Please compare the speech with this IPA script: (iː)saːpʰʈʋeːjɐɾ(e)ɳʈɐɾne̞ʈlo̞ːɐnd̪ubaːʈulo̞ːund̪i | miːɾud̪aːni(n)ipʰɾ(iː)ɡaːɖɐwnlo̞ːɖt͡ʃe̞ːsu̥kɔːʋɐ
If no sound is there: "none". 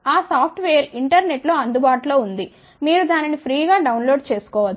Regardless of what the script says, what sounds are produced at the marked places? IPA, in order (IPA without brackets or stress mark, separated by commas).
aː, i, n, iː